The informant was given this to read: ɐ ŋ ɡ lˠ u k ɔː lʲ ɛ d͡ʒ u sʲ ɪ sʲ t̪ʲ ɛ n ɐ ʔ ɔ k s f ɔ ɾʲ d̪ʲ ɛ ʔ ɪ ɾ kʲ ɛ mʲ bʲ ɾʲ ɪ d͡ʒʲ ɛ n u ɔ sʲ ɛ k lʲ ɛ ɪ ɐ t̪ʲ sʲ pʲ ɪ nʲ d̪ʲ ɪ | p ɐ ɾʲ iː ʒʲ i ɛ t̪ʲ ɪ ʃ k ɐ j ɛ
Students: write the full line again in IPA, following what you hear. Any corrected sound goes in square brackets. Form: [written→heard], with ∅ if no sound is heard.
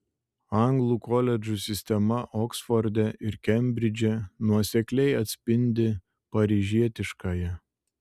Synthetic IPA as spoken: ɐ ŋ ɡ lˠ u k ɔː lʲ ɛ d͡ʒ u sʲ ɪ sʲ t̪ʲ ɛ [n→m] ɐ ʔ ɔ k s f ɔ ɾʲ d̪ʲ ɛ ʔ ɪ ɾ kʲ ɛ mʲ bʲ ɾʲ ɪ d͡ʒʲ ɛ n u ɔ sʲ ɛ k lʲ ɛ ɪ ɐ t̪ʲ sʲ pʲ ɪ nʲ d̪ʲ ɪ | p ɐ ɾʲ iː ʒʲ i ɛ t̪ʲ ɪ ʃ k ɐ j ɛ